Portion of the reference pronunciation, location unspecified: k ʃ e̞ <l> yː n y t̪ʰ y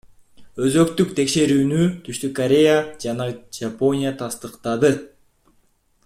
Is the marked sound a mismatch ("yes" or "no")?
yes